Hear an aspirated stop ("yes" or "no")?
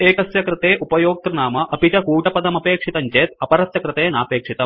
no